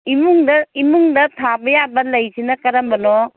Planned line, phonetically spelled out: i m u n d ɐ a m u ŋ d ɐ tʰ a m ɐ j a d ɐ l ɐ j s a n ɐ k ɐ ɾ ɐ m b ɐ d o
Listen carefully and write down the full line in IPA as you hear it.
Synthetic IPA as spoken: i m u ŋ d ɐ i m u ŋ d ɐ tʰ a b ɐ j a b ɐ l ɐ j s i n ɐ k ɐ ɾ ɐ m b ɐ n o